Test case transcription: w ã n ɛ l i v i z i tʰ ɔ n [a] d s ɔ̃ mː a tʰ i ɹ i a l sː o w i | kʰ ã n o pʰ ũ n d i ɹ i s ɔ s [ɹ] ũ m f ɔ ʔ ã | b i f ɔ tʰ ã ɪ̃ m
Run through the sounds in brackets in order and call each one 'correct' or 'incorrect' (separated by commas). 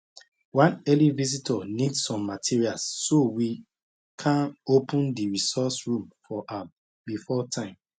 incorrect, correct